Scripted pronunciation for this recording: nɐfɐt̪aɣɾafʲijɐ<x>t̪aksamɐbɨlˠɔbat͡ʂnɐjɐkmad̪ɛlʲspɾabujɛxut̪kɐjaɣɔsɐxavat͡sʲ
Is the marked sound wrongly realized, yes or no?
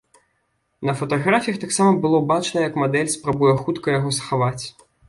no